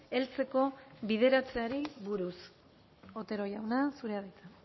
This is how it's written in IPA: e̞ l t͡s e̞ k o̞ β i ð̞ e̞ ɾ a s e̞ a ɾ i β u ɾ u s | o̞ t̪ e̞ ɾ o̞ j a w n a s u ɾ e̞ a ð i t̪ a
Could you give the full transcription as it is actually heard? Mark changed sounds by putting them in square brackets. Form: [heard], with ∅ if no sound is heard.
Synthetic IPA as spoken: e̞ l t͡s e̞ k o̞ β i ð̞ e̞ ɾ a [t͡s] e̞ a ɾ i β u ɾ u s | o̞ t̪ e̞ ɾ o̞ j a w n a s u ɾ e̞ a ð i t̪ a